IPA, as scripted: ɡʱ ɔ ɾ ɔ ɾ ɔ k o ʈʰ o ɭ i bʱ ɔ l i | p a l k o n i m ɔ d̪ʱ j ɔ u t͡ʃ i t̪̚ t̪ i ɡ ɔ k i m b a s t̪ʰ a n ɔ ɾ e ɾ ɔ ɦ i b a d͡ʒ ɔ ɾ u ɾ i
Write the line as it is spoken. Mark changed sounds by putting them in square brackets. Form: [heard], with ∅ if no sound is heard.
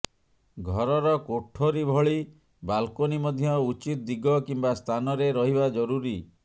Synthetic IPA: ɡʱ ɔ ɾ ɔ ɾ ɔ k o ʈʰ o [ɾ] i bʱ ɔ [ɭ] i | [b] a l k o n i m ɔ d̪ʱ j ɔ u t͡ʃ i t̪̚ [d̪] i ɡ ɔ k i m b a s t̪ʰ a n ɔ ɾ e ɾ ɔ ɦ i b a d͡ʒ ɔ ɾ u ɾ i